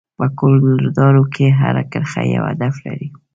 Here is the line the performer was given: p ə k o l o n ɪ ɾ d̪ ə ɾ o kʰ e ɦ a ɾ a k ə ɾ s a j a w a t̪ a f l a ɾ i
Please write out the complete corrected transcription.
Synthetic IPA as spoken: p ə k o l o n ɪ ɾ d̪ ɑ ɾ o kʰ e ɦ a ɾ a k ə ɾ x a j a w a d̪ a f l a ɾ i